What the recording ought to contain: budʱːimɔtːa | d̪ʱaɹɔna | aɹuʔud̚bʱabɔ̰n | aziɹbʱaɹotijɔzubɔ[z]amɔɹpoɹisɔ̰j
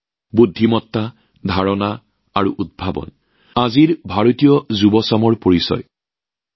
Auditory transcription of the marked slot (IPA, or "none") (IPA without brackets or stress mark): s